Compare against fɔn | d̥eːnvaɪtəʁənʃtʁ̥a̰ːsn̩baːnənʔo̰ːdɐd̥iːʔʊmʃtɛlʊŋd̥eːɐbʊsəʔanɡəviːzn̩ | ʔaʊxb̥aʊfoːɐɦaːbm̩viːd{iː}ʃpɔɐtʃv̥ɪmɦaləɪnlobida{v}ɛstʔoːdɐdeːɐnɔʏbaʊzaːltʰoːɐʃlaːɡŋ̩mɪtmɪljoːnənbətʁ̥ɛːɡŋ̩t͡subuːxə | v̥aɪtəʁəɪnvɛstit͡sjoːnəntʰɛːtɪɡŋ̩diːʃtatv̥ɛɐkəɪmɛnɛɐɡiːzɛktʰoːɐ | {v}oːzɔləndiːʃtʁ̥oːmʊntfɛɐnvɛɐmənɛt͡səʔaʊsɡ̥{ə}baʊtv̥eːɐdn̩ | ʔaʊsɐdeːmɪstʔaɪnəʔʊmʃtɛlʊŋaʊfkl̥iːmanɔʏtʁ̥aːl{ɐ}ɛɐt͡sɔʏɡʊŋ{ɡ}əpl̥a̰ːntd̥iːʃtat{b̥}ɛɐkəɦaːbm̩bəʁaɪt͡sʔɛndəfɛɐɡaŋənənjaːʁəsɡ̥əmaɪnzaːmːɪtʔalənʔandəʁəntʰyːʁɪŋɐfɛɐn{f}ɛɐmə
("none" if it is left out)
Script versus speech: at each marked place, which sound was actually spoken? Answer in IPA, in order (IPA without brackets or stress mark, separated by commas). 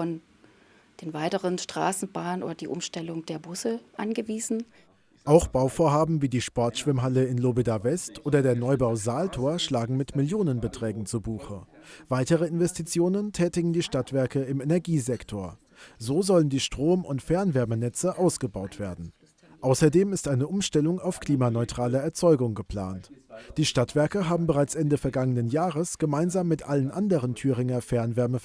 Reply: iː, v, z, ə, ɐ, ɡ, v̥, v